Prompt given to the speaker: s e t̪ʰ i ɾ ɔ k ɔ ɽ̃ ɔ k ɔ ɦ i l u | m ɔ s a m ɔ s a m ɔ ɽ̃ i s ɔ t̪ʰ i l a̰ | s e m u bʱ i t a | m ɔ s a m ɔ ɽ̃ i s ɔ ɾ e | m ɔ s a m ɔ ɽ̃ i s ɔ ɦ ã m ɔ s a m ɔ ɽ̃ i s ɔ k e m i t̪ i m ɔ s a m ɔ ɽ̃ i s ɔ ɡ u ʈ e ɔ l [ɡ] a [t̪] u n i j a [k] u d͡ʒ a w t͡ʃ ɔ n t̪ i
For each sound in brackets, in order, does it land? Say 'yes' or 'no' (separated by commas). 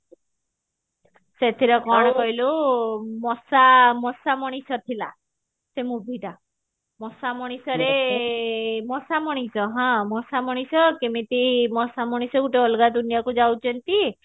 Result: yes, no, yes